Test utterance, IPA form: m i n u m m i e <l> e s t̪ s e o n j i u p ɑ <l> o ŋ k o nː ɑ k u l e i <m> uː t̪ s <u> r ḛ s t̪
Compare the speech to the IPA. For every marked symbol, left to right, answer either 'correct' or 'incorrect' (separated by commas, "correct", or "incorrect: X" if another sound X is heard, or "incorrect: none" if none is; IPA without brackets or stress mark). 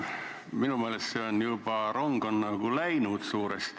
correct, incorrect: r, incorrect: n, incorrect: uː